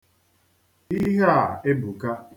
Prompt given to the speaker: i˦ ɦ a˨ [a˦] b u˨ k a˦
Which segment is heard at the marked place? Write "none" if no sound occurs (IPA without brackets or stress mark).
e˦